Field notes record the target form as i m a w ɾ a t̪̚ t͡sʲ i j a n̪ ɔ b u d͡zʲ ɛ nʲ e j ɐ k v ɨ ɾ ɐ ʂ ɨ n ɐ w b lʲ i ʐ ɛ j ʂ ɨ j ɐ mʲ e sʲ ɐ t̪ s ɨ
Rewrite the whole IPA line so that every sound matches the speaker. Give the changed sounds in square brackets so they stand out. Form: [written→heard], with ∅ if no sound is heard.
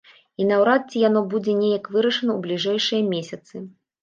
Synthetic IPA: i [m→n] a w ɾ a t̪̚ t͡sʲ i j a n̪ ɔ b u d͡zʲ ɛ nʲ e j ɐ k v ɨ ɾ ɐ ʂ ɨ n ɐ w b lʲ i ʐ ɛ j ʂ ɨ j ɐ mʲ e sʲ ɐ t̪ s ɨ